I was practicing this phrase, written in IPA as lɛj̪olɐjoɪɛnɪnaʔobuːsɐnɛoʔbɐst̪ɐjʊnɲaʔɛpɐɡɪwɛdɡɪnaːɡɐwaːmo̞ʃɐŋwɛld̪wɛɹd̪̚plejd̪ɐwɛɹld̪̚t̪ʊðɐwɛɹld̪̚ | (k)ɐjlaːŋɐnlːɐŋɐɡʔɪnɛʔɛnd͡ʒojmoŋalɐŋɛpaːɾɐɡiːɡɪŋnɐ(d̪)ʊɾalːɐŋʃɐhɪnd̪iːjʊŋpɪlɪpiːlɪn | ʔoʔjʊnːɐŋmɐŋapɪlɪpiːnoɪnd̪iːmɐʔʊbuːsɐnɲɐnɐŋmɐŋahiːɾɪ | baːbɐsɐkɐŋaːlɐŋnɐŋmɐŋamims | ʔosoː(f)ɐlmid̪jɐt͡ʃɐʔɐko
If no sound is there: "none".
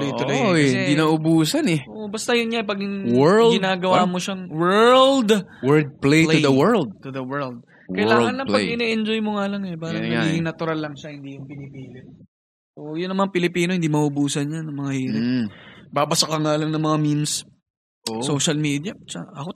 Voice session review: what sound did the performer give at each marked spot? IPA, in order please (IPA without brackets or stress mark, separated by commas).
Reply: k, t̪, ʃ